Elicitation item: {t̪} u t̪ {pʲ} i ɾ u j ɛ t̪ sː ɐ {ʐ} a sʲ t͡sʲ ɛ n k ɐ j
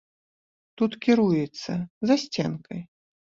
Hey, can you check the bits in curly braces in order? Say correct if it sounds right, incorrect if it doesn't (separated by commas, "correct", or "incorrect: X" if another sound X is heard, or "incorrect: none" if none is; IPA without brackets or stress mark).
correct, incorrect: kʲ, incorrect: z